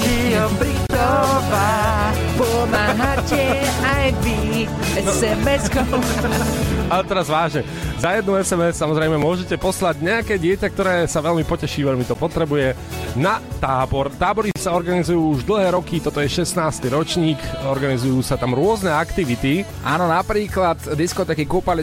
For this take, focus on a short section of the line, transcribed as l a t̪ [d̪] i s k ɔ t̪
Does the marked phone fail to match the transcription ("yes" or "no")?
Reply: no